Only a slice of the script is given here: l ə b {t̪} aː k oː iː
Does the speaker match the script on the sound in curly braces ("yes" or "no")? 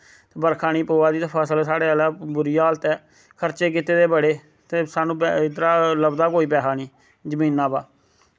no